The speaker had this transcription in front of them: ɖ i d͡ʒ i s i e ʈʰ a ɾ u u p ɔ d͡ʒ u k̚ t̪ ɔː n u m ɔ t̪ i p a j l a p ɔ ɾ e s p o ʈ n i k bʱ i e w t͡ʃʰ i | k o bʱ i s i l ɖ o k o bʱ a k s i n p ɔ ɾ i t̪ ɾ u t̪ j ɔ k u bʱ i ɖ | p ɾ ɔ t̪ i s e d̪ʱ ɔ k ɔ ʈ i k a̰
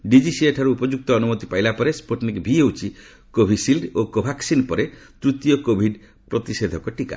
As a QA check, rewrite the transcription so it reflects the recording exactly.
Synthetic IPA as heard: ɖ i d͡ʒ i s i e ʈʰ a ɾ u u p ɔ d͡ʒ u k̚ t̪ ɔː n u m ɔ t̪ i p a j l a p ɔ ɾ e s p o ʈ n i k bʱ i e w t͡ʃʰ i | k o bʱ i s i l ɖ o k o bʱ a k s i n p ɔ ɾ e t̪ ɾ u t̪ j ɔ k o bʱ i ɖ | p ɾ ɔ t̪ i s e d̪ʱ ɔ k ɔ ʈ i k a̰